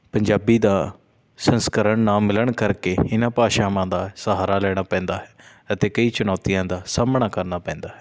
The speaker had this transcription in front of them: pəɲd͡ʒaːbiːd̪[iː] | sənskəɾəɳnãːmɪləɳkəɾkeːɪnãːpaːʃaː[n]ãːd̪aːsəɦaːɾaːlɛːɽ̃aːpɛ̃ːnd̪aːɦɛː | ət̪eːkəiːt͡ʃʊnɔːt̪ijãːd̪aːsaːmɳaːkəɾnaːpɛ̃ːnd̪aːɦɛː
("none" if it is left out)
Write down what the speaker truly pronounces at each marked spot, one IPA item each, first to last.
aː, m

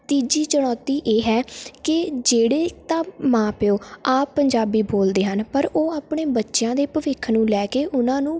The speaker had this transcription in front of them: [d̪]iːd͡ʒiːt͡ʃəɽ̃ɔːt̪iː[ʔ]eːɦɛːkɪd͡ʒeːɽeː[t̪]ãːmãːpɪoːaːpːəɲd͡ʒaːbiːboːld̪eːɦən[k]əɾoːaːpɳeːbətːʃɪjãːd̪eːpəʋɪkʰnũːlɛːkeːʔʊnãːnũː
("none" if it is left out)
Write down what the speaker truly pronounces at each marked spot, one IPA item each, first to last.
t̪, ʔ, t̪, p

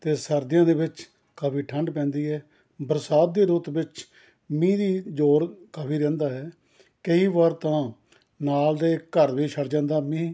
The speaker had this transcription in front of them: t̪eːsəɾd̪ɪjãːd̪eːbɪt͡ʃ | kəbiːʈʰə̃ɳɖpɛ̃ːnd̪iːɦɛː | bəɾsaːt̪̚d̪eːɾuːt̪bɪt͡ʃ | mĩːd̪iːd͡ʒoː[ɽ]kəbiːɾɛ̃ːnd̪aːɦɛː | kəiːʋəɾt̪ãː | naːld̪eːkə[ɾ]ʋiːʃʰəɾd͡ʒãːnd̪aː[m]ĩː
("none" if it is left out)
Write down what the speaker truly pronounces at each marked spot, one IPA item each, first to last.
ɾ, ɾ, m

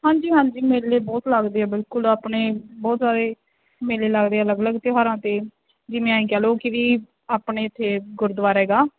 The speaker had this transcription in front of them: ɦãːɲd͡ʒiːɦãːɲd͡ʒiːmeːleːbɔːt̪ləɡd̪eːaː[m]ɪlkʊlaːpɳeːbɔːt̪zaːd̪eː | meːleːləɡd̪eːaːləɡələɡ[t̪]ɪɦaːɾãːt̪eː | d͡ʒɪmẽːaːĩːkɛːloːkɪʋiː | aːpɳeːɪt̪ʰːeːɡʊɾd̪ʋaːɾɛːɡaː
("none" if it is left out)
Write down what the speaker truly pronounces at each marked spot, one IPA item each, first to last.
b, t̪

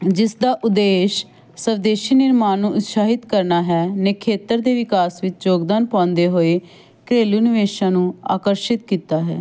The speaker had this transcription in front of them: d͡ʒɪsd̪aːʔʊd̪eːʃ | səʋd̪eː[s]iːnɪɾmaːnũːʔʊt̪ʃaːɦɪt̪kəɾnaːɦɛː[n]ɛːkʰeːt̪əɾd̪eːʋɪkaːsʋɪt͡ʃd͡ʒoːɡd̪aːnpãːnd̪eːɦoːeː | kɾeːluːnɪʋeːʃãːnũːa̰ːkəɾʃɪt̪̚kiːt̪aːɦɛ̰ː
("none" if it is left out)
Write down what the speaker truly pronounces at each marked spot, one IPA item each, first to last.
ʃ, n

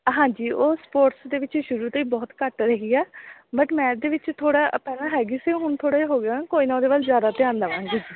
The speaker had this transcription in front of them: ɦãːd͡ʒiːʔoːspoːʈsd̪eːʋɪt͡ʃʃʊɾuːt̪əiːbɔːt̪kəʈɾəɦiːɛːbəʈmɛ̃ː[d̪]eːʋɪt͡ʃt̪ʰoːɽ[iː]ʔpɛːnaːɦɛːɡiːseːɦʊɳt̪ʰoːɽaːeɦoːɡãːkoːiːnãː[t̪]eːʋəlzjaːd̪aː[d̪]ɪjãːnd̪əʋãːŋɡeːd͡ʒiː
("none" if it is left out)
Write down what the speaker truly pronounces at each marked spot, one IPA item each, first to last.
d̪, aː, d̪, t̪

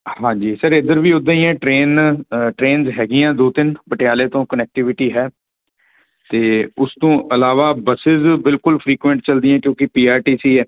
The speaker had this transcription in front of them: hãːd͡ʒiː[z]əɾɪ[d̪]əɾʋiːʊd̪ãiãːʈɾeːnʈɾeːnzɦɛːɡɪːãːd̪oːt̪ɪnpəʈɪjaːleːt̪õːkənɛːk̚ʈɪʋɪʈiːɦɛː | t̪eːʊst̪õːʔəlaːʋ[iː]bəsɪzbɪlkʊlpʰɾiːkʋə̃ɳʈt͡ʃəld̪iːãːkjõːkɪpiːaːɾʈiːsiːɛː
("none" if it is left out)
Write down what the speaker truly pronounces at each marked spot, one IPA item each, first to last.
s, d̪, aː

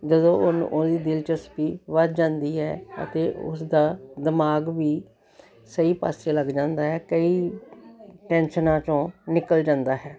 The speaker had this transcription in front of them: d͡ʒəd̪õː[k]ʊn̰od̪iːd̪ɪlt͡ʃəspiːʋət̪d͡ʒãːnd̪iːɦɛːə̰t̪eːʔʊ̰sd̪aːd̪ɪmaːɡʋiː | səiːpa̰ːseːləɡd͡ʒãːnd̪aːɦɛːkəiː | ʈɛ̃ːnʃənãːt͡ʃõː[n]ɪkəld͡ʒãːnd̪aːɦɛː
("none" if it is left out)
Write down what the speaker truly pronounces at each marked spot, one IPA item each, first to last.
none, n

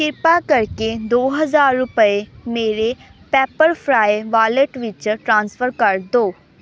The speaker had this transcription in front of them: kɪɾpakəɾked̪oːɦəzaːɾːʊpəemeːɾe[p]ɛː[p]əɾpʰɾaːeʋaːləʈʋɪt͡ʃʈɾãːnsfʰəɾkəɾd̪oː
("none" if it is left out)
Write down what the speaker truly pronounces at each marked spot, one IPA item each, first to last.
p, p

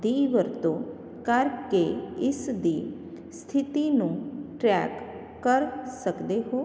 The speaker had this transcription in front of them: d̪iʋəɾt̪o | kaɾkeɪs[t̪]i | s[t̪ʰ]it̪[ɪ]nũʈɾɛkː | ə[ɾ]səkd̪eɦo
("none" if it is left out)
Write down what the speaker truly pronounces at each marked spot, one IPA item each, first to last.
d̪, t̪ʰ, i, ɾ

